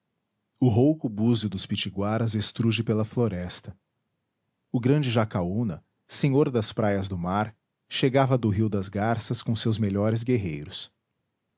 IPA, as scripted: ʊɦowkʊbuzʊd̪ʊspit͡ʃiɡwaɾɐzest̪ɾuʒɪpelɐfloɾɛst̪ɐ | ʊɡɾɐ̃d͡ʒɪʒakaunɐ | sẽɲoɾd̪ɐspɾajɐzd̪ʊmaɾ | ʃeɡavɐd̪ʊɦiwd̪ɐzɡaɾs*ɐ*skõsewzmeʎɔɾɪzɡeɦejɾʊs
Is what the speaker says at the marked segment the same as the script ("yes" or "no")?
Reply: yes